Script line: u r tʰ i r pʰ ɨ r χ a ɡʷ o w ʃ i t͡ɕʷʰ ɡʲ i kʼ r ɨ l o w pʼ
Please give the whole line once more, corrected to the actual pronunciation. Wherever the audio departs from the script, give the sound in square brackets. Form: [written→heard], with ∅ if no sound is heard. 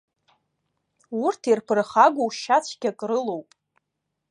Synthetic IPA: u r tʰ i r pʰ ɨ r χ a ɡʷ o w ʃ [i→a] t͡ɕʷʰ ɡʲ [i→a] kʼ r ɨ l o w pʼ